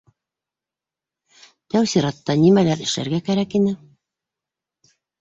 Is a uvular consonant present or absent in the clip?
absent